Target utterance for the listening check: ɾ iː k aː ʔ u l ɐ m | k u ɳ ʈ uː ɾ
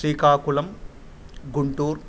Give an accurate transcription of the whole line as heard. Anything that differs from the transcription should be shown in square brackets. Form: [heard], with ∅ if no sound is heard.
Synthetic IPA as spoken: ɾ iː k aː [k] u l ɐ m | [ɡ] u ɳ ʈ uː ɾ

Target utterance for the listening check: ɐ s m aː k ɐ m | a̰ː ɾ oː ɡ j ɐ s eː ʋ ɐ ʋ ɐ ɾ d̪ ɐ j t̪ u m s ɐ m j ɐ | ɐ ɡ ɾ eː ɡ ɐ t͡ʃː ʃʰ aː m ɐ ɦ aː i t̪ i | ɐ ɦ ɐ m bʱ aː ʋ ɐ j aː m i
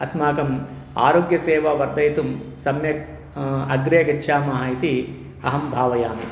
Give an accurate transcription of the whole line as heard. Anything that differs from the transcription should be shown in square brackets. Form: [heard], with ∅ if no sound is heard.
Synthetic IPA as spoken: ɐ s m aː k ɐ m | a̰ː ɾ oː ɡ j ɐ s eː ʋ ɐ ʋ ɐ ɾ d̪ ɐ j t̪ u m s ɐ m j ɐ | ɐ ɡ ɾ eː ɡ ɐ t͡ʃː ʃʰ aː m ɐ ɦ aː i t̪ i | ɐ ɦ ɐ m bʱ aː ʋ ɐ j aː m i

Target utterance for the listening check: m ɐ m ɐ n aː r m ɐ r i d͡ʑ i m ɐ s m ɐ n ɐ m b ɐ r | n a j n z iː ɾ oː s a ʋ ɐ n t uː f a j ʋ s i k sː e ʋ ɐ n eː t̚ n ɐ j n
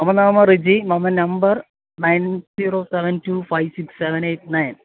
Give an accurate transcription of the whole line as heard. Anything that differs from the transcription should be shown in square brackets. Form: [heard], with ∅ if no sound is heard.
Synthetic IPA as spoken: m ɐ m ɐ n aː [∅] m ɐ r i d͡ʑ i m ɐ [∅] m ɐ n ɐ m b ɐ r | n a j n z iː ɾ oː s [e] ʋ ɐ n t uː f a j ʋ s i k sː e ʋ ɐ n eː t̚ n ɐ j n

